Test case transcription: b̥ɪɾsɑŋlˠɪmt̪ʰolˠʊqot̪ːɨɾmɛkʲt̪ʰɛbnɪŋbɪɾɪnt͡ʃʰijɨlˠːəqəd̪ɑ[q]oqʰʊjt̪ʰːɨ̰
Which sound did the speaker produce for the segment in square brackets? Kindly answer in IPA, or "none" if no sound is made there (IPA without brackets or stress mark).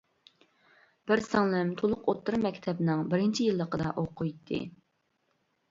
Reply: ʔ